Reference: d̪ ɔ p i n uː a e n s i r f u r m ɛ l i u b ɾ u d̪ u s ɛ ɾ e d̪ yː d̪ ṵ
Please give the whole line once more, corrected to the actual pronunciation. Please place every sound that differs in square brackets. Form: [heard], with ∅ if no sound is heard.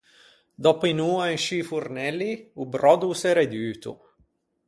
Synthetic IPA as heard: d̪ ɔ p i n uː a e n [ʃ] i [∅] f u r [n] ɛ l i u b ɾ [ɔ] d̪ u s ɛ ɾ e d̪ yː [t̪] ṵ